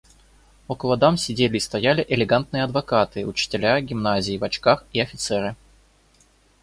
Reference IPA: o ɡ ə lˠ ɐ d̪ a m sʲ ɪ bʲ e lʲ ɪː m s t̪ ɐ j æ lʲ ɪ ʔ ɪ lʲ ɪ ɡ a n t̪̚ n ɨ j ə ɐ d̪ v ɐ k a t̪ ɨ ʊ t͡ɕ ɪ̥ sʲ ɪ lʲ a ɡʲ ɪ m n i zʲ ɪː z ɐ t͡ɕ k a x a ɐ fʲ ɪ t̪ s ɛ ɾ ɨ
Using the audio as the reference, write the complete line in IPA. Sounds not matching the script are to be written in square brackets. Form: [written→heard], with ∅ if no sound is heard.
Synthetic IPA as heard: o [ɡ→k] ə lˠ ɐ d̪ a m sʲ ɪ [bʲ→dʲ] e lʲ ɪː [m→∅] s t̪ ɐ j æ lʲ ɪ ʔ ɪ lʲ ɪ ɡ a n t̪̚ n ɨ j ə ɐ d̪ v ɐ k a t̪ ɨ ʊ t͡ɕ ɪ̥ [sʲ→tʲ] ɪ lʲ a ɡʲ ɪ m n [i→a] zʲ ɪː [z→v] ɐ t͡ɕ k a x [a→i] ɐ fʲ ɪ t̪ s ɛ ɾ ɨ